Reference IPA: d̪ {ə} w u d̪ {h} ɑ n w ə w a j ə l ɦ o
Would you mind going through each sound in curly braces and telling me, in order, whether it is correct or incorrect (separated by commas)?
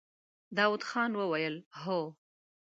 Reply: incorrect, incorrect